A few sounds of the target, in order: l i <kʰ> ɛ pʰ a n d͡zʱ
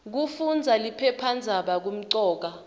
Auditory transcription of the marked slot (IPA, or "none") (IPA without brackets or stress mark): pʰ